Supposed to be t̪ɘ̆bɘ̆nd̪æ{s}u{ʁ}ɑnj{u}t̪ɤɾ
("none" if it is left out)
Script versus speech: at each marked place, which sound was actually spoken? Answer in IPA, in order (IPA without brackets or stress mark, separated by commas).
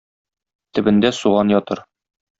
s, ʁ, ɒ